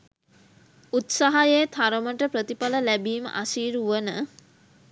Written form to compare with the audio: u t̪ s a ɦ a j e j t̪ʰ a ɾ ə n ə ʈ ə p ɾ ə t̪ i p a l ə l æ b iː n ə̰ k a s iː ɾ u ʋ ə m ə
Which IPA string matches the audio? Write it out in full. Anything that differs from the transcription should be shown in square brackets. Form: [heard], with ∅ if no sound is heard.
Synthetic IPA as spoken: u t̪ s a ɦ a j e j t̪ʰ a ɾ ə [m] ə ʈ ə p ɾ ə t̪ i p a l ə l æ b iː [m] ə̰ [ʔ] a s iː ɾ u ʋ ə [n] ə